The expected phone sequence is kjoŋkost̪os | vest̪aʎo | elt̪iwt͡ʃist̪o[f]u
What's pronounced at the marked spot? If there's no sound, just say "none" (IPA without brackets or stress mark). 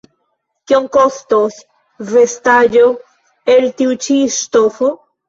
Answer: f